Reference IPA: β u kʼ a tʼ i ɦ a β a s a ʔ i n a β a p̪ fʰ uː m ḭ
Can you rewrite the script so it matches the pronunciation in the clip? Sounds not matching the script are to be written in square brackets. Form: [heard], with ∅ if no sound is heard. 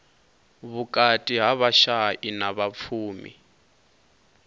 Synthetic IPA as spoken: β u kʼ a tʼ i ɦ a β a [ʃ] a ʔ i n a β a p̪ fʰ uː m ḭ